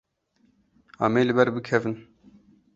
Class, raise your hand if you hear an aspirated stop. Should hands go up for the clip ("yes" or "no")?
yes